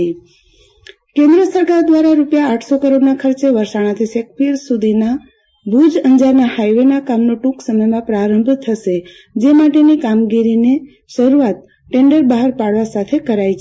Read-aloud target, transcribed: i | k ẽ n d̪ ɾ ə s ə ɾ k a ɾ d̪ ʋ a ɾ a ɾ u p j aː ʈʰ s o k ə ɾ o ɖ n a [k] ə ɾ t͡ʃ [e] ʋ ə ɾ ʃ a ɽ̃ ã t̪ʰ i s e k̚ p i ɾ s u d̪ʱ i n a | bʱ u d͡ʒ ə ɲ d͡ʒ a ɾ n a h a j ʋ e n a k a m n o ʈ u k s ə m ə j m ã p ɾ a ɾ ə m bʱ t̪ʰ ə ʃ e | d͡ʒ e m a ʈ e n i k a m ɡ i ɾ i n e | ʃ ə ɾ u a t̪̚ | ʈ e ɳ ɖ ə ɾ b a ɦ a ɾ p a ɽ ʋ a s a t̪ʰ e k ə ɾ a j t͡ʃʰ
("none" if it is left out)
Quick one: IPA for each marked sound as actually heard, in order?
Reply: kʰ, e

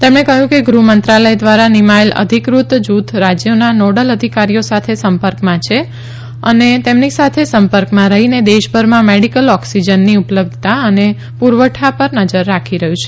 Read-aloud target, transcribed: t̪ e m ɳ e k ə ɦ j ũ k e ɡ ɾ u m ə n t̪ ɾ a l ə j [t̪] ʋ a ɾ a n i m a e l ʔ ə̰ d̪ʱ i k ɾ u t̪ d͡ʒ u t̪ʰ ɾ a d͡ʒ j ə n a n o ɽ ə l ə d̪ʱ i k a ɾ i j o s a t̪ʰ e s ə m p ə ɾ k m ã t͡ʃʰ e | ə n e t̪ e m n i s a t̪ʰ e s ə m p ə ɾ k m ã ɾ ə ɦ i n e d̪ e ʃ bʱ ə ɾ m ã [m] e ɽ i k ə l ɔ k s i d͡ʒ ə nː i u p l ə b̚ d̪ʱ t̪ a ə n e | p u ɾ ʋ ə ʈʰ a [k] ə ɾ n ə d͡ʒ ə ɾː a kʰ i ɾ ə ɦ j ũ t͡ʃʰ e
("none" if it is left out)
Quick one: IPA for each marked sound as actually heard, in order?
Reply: d̪, m, p

